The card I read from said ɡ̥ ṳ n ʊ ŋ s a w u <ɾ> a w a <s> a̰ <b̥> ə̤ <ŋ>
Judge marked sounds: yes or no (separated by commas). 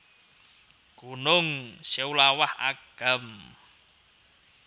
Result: no, no, no, no